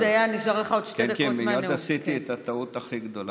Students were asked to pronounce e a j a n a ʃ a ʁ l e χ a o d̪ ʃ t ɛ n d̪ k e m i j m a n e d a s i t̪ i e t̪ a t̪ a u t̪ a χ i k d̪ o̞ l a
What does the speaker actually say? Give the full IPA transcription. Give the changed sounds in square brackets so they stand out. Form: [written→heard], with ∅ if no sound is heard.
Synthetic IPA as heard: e a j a n [a→i] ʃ a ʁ l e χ a o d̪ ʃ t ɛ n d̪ k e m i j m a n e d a s i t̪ i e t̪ a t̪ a u t̪ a χ i [k→ɡ] d̪ o̞ l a